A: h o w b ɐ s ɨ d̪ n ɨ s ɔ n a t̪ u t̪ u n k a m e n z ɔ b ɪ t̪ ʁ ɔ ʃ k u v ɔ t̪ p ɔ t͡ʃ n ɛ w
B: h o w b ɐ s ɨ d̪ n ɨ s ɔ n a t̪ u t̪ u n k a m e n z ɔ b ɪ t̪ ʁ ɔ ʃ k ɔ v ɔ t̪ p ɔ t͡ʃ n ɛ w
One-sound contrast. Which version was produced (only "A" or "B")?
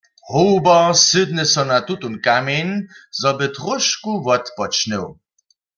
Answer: A